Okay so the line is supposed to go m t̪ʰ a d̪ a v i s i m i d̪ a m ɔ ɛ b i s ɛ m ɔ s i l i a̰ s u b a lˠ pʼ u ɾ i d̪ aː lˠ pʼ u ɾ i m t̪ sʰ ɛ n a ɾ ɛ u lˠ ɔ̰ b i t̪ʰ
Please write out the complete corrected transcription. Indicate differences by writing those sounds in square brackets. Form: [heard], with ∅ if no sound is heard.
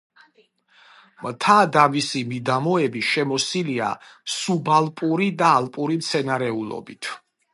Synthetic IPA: m t̪ʰ a d̪ a v i s i m i d̪ a m ɔ ɛ b i [ʃ] ɛ m ɔ s i l i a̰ s u b a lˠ pʼ u ɾ i d̪ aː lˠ pʼ u ɾ i m t̪ sʰ ɛ n a ɾ ɛ u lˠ ɔ̰ b i t̪ʰ